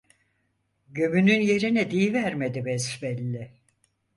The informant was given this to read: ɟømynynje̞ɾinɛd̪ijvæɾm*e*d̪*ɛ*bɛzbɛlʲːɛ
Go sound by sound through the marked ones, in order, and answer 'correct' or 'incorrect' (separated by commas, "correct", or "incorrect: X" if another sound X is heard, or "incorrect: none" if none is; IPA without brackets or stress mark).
correct, incorrect: i